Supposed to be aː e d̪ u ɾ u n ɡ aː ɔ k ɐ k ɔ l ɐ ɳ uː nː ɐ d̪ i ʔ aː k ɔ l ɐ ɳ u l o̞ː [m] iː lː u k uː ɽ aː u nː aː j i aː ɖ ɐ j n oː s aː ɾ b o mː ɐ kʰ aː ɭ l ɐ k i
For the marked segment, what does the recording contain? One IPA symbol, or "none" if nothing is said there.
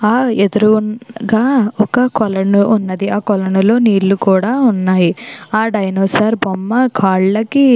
n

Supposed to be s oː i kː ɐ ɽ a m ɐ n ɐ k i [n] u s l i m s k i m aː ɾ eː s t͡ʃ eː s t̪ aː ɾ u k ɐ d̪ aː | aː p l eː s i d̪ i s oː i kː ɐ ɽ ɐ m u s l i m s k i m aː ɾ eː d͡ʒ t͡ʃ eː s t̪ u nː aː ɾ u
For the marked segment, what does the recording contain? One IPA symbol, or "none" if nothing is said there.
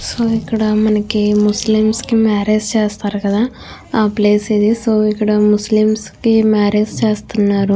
m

